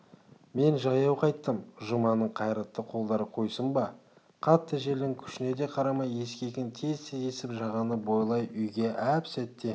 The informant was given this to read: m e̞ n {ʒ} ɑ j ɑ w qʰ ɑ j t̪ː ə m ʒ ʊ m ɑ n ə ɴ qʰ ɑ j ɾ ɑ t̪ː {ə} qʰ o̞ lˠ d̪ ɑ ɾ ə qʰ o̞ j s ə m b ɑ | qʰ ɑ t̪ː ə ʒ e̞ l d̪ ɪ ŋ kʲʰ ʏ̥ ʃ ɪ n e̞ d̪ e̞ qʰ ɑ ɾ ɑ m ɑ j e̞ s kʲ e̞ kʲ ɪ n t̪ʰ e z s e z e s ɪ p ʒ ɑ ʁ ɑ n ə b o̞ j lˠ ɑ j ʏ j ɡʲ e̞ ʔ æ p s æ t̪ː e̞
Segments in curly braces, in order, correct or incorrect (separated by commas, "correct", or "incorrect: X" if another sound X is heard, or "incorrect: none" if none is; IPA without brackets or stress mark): correct, correct